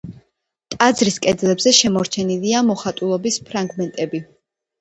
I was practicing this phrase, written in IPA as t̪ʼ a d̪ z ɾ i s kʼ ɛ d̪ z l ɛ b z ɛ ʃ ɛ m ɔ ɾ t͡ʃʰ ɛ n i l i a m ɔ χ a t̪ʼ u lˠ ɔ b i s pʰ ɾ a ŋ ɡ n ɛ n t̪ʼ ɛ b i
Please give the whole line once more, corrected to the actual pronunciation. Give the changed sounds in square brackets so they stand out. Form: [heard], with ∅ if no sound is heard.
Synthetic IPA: t̪ʼ a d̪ z ɾ i s kʼ ɛ d̪ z l ɛ b z ɛ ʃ ɛ m ɔ ɾ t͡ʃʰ ɛ n i l i a m ɔ χ a t̪ʼ u lˠ ɔ b i s pʰ ɾ a ŋ ɡ [m] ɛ n t̪ʼ ɛ b i